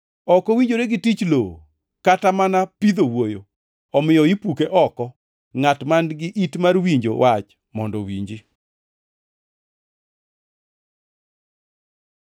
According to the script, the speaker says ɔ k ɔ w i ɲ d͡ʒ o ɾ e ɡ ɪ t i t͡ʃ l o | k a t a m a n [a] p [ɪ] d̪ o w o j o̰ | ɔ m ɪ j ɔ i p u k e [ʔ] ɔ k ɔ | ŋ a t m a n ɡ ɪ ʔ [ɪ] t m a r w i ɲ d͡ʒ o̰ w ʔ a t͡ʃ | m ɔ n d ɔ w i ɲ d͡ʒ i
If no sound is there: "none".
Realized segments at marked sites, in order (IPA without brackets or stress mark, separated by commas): a, i, ʔ, i